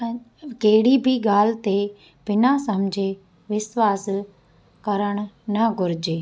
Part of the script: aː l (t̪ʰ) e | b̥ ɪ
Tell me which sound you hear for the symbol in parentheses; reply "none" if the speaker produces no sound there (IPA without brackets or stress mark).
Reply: t̪